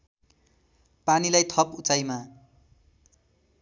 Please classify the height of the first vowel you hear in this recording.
low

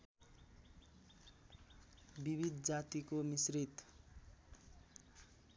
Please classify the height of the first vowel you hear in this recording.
high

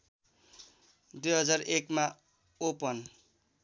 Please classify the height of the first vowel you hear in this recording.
high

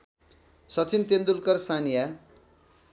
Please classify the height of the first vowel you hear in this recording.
mid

